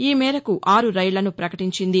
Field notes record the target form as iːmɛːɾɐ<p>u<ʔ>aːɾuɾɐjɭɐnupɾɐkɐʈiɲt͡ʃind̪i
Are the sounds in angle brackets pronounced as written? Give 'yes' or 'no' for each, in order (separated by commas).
no, yes